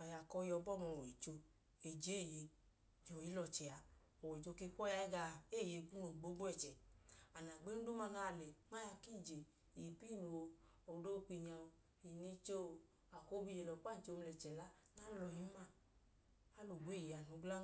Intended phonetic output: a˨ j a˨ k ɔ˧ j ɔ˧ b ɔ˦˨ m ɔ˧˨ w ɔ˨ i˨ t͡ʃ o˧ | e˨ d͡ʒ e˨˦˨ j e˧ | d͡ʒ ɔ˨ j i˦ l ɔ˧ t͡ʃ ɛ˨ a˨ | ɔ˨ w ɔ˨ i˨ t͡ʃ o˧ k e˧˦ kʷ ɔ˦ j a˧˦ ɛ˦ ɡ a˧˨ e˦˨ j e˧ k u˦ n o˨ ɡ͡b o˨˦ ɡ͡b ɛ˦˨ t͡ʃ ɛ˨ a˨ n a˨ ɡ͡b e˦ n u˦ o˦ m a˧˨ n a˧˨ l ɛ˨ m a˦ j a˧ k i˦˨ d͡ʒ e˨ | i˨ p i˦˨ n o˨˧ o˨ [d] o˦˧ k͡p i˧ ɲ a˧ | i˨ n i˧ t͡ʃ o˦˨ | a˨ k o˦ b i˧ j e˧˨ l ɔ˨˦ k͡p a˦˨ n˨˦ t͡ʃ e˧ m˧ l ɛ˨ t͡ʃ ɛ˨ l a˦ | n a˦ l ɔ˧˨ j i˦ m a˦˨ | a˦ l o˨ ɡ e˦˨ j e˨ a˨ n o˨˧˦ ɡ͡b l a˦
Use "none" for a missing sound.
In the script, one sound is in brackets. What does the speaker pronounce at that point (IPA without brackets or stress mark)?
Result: d